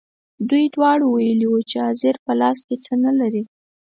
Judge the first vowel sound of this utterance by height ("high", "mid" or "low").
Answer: high